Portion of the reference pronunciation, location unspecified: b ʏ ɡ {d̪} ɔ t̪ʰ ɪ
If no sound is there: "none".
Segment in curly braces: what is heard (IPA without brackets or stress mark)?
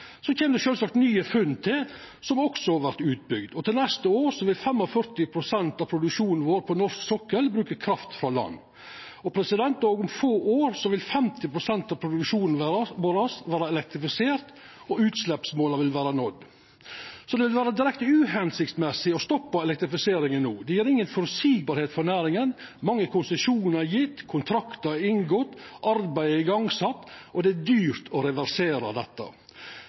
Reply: d̪